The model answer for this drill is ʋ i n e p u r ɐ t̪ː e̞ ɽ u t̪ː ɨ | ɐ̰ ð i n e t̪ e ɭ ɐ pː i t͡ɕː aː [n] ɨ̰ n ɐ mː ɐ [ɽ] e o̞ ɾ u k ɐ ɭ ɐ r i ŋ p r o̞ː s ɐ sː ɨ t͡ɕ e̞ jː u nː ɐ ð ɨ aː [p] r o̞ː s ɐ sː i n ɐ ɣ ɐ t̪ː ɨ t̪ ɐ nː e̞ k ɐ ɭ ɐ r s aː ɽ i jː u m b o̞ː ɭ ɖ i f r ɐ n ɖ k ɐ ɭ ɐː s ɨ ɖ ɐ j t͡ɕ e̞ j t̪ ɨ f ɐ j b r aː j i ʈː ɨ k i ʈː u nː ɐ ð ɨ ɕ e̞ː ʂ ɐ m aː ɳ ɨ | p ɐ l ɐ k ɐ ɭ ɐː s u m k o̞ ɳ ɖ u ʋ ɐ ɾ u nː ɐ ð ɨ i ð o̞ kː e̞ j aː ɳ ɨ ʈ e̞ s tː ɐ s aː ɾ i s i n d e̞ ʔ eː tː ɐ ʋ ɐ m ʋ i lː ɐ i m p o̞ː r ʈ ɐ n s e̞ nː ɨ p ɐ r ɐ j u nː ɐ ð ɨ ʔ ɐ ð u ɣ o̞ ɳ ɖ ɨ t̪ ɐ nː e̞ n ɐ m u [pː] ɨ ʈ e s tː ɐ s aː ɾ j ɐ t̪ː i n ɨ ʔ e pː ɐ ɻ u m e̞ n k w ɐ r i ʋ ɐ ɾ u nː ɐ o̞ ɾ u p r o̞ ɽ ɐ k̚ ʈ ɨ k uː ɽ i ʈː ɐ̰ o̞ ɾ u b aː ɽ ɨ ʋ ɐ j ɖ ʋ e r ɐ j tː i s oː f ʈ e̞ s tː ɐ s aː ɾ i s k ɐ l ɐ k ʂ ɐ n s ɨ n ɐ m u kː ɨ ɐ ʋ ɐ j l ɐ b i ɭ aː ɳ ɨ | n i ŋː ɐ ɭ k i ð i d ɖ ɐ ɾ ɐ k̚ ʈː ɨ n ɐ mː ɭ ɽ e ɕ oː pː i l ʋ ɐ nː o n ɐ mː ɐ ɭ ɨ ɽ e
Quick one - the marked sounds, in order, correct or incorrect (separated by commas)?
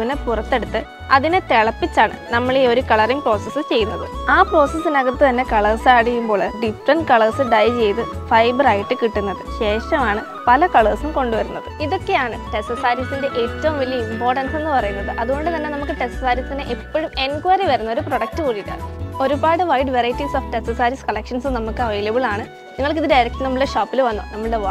incorrect, incorrect, correct, incorrect